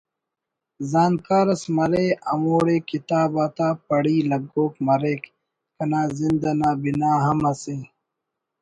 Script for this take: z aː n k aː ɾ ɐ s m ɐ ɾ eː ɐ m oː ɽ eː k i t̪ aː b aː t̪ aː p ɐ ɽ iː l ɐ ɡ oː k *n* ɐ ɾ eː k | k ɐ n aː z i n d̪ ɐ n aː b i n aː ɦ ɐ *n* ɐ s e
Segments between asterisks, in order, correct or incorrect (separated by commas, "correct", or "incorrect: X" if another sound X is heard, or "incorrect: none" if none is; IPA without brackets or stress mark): incorrect: m, incorrect: m